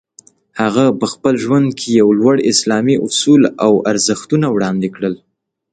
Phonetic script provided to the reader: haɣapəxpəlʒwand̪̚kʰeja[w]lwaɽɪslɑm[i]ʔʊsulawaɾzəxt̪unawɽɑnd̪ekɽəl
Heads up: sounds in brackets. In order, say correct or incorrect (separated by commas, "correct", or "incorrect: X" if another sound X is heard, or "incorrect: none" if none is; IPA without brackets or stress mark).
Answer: correct, correct